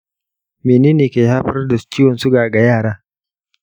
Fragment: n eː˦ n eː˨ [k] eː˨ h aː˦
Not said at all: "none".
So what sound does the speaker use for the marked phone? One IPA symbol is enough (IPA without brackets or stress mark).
k